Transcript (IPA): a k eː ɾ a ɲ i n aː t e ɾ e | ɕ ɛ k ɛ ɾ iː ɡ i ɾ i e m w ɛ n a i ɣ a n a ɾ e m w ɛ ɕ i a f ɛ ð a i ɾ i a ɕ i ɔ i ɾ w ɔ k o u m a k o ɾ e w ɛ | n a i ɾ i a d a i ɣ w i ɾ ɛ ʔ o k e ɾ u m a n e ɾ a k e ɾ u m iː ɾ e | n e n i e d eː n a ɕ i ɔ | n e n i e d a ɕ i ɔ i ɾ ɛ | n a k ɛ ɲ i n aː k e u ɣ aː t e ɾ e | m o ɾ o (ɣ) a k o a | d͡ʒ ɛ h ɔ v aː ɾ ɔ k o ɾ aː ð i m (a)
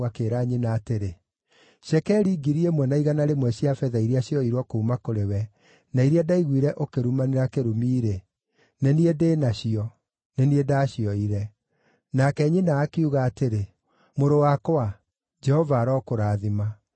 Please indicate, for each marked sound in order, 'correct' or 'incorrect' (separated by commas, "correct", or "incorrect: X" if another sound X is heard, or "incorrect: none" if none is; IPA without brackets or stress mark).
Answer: incorrect: w, correct